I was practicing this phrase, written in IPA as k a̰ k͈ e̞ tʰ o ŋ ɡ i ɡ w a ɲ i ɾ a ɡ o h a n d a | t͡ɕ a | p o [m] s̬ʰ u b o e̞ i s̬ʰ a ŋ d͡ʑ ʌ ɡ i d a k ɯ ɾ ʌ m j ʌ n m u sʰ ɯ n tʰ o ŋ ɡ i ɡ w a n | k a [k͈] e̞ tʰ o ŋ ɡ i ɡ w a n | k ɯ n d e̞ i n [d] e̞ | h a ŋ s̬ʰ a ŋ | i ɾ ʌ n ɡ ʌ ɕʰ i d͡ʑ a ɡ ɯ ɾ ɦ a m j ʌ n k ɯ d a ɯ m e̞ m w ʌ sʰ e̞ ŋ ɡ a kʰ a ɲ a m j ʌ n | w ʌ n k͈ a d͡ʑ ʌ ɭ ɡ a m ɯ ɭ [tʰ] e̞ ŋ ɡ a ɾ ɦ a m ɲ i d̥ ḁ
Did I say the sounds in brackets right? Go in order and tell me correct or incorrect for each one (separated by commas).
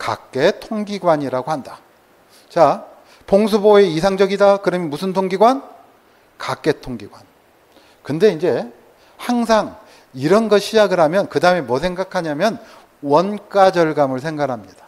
incorrect, correct, incorrect, incorrect